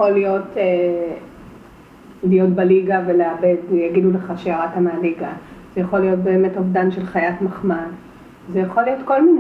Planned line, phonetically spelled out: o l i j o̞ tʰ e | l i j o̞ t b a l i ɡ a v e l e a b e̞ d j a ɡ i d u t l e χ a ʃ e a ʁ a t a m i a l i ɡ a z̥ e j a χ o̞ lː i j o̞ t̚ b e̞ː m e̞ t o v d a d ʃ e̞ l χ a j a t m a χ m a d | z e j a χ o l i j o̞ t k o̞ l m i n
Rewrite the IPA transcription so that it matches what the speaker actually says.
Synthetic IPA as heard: o l i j o̞ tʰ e | l i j o̞ t b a l i ɡ a v e l e a b e̞ d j a ɡ i d u l e χ a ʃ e a ʁ a t a m e a l i ɡ a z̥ e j a χ o̞ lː i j o̞ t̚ b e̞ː m e̞ t o v d a n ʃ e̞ l χ a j a t m a χ m a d | z e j a χ o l i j o̞ t k o̞ l m i n